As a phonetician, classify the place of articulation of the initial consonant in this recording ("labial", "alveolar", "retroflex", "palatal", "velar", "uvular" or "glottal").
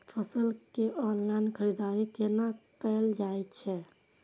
labial